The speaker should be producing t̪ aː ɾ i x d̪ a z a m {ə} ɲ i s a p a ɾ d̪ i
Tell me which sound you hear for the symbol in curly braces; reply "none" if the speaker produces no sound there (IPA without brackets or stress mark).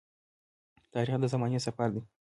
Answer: a